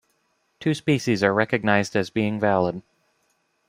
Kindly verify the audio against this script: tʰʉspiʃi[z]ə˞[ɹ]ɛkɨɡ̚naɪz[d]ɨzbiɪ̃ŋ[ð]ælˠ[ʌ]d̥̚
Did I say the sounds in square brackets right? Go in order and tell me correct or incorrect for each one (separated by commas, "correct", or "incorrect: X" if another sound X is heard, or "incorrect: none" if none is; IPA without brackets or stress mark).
correct, correct, correct, incorrect: v, incorrect: ə